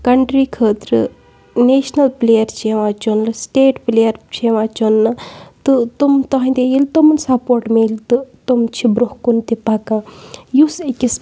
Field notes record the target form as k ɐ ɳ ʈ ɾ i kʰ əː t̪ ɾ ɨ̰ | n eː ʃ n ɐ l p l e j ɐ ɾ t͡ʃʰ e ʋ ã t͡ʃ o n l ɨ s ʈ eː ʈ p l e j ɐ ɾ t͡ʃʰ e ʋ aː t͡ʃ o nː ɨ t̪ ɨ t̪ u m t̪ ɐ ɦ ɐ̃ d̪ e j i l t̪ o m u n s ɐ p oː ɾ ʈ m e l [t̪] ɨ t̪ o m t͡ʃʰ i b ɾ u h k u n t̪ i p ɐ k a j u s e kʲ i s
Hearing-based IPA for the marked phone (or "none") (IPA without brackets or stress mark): t̪